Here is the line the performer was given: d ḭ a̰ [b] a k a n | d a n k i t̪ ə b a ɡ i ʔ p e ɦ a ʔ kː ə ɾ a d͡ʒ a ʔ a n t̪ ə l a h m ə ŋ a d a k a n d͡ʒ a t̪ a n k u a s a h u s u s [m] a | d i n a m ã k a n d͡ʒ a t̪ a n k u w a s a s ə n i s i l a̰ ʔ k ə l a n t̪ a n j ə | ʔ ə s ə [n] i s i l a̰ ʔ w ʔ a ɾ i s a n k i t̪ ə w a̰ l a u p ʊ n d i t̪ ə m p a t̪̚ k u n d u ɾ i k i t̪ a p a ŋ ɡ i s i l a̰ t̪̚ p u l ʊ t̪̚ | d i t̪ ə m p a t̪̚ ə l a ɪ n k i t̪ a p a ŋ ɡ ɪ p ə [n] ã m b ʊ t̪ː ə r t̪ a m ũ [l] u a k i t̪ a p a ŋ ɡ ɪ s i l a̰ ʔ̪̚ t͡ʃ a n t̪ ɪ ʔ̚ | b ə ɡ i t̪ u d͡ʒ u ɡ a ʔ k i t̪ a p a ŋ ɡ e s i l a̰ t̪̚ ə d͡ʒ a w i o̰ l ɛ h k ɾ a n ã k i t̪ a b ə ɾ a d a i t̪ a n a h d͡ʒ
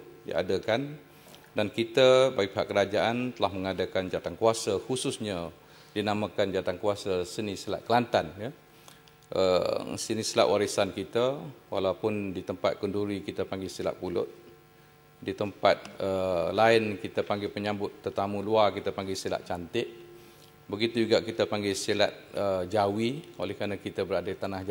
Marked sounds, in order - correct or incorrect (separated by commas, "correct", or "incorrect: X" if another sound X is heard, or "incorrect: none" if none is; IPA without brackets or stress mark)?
incorrect: d, incorrect: ɲ, correct, incorrect: ɲ, correct